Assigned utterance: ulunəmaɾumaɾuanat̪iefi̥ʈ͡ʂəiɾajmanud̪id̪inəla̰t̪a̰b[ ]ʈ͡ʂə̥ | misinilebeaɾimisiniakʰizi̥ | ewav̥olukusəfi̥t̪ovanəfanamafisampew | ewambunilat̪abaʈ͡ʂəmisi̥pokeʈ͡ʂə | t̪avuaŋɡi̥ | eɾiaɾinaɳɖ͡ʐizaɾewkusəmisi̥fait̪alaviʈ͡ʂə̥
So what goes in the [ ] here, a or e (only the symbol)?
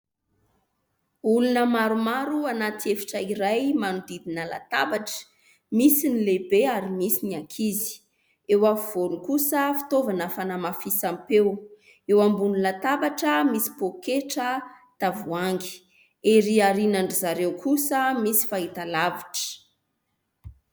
a